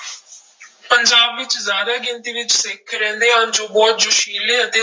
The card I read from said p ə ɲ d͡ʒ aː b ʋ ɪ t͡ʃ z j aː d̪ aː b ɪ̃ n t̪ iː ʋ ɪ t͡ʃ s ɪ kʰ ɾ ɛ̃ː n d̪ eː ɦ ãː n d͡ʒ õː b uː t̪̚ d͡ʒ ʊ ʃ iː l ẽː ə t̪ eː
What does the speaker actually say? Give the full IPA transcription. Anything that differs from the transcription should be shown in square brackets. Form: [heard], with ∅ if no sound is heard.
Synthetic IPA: p ə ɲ d͡ʒ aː b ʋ ɪ t͡ʃ z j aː d̪ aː [ɡ] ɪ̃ n t̪ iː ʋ ɪ t͡ʃ s ɪ kʰ ɾ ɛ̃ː n d̪ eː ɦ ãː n d͡ʒ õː b [ɔː] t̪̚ d͡ʒ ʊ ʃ iː l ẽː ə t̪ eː

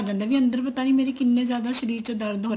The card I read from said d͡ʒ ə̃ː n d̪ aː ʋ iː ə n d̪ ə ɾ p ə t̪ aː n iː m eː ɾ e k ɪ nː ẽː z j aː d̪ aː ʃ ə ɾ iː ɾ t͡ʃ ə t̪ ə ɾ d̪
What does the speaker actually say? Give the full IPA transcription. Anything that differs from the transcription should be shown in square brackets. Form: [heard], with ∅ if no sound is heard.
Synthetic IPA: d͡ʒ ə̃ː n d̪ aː ʋ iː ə n d̪ ə ɾ p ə t̪ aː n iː m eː ɾ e k ɪ nː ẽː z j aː d̪ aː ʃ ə ɾ iː ɾ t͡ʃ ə [d̪] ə ɾ d̪

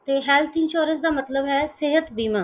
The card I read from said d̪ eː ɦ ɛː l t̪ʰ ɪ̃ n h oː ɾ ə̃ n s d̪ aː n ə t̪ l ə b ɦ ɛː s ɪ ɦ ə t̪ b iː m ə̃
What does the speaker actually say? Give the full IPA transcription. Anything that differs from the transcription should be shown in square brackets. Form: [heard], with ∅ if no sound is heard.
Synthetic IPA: [t̪] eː ɦ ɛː l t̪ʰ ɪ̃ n [ʃ] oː ɾ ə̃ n s d̪ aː [m] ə t̪ l ə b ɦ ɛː s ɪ ɦ ə t̪ b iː m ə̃

